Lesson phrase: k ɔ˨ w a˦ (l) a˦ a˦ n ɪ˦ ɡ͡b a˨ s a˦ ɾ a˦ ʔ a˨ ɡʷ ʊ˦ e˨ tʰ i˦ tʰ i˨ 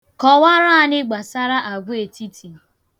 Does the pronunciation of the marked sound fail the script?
yes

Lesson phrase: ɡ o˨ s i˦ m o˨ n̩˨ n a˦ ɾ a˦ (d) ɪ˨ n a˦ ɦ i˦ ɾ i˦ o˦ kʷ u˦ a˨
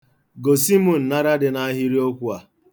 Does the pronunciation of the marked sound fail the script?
no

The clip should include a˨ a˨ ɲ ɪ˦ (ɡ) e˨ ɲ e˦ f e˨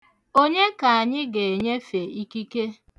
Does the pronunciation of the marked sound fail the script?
no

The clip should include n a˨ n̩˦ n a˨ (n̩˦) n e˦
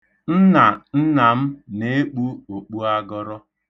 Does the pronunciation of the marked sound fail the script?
yes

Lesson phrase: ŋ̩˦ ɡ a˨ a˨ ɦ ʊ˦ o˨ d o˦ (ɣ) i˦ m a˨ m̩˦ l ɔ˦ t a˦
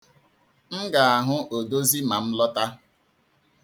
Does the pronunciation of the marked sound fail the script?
yes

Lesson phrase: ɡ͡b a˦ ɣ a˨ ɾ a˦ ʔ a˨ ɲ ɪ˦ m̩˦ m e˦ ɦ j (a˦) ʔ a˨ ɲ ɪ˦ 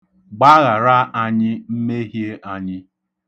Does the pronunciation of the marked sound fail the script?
yes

